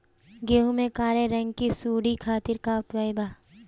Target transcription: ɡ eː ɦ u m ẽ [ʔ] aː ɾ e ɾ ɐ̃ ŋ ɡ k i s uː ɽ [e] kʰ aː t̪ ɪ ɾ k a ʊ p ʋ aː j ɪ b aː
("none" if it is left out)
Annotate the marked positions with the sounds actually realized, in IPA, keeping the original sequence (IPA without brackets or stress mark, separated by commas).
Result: k, i